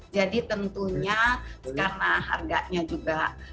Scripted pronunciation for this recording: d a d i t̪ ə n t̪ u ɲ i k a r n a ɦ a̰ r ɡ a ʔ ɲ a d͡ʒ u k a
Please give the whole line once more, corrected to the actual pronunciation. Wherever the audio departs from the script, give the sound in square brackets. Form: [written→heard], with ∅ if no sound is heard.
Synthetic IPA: [d→d͡ʒ] a d i t̪ ə n t̪ u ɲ [i→a] k a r n a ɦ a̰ r ɡ a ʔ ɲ a d͡ʒ u [k→ɡ] a